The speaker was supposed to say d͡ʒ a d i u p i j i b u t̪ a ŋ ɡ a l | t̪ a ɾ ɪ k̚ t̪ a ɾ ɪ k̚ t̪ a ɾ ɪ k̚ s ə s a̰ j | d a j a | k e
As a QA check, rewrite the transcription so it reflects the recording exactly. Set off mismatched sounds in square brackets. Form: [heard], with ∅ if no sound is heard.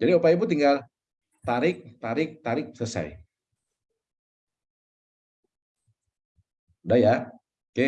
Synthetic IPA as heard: d͡ʒ a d i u p [a] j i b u t̪ [i] ŋ ɡ a l | t̪ a ɾ ɪ k̚ t̪ a ɾ ɪ k̚ t̪ a ɾ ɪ k̚ s ə s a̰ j | d a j a | k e